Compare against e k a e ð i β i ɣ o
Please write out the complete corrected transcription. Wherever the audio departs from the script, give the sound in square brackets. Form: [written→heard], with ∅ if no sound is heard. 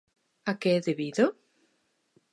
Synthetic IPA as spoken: [e→a] k [a→e] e ð [i→e] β i [ɣ→ð] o